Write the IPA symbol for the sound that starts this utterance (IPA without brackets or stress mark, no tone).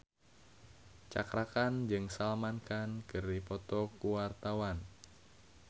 t͡ʃ